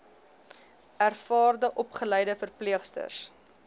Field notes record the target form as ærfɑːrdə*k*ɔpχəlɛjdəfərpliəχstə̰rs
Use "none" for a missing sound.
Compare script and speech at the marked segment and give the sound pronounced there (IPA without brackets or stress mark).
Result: ʔ